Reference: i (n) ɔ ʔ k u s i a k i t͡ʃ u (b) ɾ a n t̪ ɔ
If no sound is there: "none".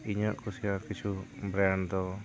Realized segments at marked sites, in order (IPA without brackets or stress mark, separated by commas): ɲ, b